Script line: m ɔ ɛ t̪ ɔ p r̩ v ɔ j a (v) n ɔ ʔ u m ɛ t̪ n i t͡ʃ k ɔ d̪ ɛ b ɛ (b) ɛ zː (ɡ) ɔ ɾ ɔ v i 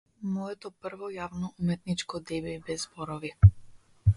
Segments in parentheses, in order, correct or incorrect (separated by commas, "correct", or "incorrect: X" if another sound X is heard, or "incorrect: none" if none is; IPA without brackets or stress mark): correct, correct, incorrect: b